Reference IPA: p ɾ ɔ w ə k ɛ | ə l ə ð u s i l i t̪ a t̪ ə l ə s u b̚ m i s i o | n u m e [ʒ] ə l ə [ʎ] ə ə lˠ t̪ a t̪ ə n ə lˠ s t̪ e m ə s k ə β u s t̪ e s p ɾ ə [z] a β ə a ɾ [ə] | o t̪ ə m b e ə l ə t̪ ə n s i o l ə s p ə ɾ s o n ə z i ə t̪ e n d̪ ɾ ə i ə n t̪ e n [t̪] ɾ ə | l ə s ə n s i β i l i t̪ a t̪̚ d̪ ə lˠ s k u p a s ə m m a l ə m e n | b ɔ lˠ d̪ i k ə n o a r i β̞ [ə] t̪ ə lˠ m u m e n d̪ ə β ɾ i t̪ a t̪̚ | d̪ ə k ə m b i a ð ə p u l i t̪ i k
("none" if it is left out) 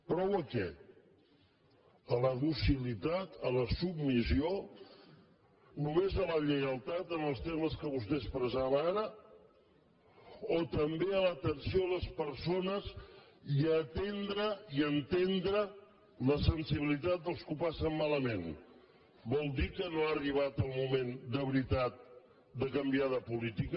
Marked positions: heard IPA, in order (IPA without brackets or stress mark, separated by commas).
z, ʎ, z, ə, d̪, a